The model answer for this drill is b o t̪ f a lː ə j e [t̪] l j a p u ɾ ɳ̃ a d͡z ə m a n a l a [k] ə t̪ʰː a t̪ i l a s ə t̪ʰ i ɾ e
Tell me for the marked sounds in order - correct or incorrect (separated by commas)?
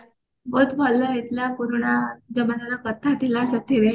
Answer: correct, correct